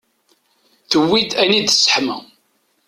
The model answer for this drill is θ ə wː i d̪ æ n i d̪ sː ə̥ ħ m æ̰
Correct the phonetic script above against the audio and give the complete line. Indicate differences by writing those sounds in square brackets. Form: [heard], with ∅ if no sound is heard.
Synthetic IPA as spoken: θ ə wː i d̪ æ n i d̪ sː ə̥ ħ m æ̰